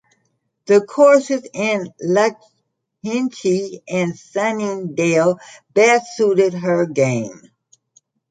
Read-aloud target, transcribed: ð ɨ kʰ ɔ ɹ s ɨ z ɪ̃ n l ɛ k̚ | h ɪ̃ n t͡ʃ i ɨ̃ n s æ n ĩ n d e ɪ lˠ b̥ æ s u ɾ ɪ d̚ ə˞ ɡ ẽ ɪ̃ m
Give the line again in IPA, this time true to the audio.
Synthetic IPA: ð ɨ kʰ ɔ ɹ s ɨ z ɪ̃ n l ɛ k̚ | h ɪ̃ n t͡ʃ i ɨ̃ n s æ n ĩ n d e ɪ lˠ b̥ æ s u ɾ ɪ d̚ ə˞ ɡ ẽ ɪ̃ m